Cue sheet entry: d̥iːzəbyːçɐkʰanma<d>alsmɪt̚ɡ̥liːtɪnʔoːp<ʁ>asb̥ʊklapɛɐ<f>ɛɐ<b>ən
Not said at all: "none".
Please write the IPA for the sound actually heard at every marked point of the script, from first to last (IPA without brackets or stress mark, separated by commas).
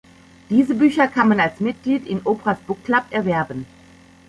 n, ʁ, v, b